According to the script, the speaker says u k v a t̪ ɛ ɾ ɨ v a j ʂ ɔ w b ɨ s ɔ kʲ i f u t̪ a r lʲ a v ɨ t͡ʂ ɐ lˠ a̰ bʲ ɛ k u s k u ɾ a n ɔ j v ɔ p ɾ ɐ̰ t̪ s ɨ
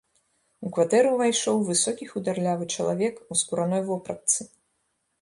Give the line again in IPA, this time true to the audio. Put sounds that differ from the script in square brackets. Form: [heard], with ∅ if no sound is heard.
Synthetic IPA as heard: u k v a t̪ ɛ ɾ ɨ v a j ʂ ɔ w [v] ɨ s ɔ kʲ i [x] u [d̪] a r lʲ a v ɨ t͡ʂ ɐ lˠ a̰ [vʲ] ɛ k u s k u ɾ a n ɔ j v ɔ p ɾ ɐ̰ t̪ s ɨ